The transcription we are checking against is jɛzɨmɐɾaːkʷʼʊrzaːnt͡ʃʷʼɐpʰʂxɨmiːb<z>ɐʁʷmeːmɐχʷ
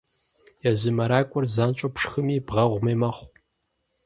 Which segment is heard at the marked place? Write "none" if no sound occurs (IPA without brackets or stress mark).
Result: ʁ